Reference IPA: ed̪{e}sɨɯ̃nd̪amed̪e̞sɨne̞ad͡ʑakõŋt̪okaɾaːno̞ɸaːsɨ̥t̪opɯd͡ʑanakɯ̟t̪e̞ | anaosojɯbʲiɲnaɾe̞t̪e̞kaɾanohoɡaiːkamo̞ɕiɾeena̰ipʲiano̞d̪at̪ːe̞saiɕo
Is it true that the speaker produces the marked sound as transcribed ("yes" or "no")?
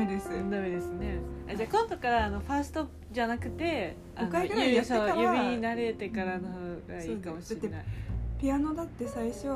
yes